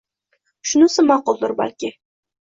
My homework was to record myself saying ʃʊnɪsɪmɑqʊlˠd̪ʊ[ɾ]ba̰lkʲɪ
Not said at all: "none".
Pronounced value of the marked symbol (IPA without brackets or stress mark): ɾ